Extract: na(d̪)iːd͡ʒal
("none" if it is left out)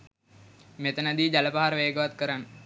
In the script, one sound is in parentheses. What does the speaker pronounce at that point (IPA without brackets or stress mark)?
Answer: d̪